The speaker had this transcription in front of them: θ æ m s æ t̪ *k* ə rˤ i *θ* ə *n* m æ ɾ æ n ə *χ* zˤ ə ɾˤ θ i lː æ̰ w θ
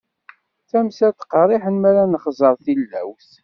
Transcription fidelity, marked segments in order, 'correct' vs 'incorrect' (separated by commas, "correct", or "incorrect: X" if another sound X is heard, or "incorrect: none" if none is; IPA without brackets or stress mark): incorrect: q, incorrect: ħ, correct, correct